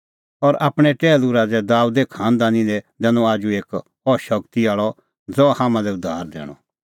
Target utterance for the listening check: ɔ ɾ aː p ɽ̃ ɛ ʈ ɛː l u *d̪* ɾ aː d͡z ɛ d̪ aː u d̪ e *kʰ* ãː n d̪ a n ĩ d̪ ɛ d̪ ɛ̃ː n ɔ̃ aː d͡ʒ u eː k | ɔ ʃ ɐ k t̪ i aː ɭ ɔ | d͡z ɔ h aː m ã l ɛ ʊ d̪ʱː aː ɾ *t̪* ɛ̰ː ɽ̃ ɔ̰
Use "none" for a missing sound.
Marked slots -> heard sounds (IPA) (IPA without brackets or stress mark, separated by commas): none, kʰ, d̪